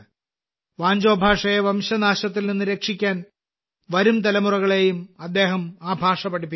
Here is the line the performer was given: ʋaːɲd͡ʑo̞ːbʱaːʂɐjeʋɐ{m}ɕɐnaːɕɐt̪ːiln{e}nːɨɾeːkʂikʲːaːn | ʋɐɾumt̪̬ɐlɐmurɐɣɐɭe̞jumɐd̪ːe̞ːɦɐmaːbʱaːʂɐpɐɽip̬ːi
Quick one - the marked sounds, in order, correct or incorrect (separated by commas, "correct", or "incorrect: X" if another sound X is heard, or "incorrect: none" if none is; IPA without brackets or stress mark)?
correct, incorrect: i